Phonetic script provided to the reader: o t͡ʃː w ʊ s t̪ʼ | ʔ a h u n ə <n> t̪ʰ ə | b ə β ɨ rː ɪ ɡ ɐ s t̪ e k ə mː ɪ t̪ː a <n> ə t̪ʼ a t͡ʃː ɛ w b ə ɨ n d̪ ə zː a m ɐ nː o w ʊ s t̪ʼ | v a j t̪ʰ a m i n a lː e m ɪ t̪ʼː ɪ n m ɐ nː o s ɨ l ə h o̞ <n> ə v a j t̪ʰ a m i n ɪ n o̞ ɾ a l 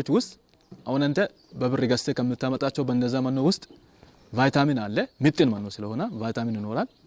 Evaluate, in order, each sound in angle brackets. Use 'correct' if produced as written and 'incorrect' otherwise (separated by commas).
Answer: correct, incorrect, correct